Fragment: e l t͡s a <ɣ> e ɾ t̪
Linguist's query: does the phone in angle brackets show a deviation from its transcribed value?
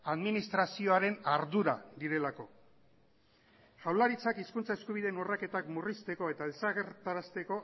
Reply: no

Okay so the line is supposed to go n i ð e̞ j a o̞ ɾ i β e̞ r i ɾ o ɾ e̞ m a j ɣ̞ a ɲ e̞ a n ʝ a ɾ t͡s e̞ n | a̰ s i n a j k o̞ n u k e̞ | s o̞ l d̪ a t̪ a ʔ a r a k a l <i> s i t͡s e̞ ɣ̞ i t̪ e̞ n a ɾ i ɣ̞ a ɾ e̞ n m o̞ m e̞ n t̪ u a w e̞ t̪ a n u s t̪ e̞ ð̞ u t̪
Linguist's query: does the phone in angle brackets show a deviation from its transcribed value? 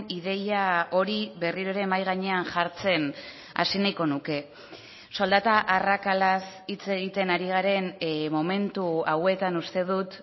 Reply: yes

